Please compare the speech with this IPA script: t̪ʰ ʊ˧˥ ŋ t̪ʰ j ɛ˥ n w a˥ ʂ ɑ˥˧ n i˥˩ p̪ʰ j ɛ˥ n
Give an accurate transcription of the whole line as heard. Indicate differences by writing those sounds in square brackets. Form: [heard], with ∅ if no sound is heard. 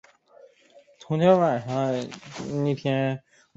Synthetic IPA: t̪ʰ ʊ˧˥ ŋ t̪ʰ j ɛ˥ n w [a˨˩] ʂ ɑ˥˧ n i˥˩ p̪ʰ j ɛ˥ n